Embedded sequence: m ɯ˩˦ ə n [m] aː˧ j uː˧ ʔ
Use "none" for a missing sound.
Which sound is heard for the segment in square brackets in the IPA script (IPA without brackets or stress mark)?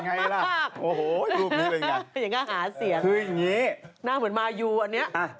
m